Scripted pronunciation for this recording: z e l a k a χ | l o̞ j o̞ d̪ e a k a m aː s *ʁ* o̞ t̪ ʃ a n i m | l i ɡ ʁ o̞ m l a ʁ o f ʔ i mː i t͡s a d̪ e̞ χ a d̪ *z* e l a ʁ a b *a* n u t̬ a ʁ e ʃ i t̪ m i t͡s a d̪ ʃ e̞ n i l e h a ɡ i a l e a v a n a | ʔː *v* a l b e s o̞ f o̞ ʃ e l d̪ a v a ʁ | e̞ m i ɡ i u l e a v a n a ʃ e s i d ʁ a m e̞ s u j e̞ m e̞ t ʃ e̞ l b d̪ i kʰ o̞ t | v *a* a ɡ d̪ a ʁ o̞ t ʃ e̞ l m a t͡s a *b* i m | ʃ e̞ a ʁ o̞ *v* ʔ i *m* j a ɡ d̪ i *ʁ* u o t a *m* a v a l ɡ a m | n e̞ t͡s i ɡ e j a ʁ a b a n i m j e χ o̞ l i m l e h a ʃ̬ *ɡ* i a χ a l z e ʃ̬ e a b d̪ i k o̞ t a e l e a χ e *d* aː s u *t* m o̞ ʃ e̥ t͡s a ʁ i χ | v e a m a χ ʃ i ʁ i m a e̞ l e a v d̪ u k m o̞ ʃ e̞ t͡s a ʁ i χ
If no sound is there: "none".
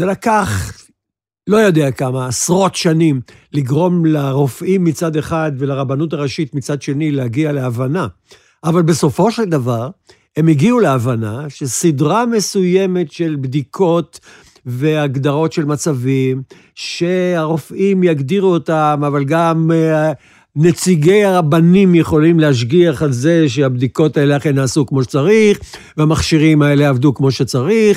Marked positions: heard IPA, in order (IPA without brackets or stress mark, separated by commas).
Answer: ʁ, v, a, v, e, v, f, m, ʁ, m, ɡ, n, k